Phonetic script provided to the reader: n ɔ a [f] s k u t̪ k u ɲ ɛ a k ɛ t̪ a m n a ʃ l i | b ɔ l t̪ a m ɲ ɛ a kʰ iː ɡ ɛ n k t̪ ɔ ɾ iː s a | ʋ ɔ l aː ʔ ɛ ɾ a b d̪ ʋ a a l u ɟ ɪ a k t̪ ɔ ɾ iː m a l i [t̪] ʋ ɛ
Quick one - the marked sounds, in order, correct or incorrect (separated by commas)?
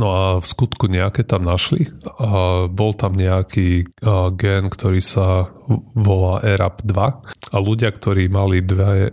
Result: correct, incorrect